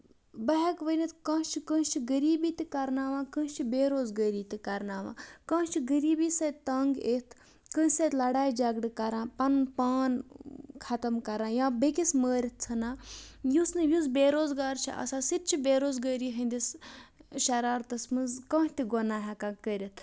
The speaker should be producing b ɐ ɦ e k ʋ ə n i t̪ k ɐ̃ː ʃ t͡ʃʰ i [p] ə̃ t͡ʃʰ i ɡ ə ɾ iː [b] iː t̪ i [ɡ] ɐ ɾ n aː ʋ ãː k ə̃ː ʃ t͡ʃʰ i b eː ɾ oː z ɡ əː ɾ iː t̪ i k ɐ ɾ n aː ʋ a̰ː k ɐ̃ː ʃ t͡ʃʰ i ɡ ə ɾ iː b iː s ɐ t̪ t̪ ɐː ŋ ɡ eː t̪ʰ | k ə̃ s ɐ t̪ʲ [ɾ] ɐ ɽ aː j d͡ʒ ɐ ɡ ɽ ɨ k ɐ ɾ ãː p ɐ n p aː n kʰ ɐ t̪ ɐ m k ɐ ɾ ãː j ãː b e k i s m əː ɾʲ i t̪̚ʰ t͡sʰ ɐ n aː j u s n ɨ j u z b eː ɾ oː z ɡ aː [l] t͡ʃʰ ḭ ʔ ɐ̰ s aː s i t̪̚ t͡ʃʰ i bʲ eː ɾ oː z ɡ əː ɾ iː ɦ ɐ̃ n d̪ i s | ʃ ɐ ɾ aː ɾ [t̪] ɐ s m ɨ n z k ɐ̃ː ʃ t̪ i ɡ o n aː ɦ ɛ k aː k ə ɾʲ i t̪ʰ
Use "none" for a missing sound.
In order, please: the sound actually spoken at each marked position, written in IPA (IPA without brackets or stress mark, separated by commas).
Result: k, b, k, l, ɾ, t̪